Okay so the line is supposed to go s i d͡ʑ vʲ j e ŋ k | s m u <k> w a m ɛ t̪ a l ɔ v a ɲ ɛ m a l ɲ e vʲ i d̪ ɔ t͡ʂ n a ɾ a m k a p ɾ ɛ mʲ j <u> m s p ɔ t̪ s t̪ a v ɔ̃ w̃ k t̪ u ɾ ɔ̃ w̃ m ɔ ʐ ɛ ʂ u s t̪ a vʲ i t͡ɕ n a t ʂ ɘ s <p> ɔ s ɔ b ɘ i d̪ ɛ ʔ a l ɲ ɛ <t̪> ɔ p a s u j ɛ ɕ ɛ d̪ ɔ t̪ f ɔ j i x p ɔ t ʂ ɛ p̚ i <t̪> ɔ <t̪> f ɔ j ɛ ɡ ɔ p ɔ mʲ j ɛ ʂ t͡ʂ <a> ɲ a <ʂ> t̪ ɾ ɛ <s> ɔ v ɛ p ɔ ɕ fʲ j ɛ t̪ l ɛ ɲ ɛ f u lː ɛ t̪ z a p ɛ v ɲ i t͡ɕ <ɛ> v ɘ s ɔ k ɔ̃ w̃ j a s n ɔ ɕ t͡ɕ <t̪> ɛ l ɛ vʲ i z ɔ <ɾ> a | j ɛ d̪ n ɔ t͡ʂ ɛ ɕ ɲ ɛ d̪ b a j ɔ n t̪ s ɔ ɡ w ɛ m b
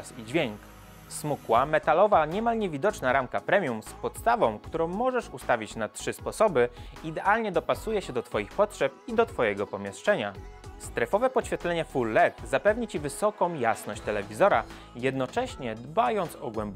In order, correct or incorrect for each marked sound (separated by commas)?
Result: correct, correct, correct, incorrect, incorrect, correct, incorrect, incorrect, incorrect, incorrect, correct, correct